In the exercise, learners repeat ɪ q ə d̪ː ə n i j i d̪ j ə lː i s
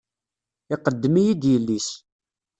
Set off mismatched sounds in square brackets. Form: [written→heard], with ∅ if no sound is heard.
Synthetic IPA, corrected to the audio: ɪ q ə d̪ː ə [n→m] i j i d̪ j ə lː i s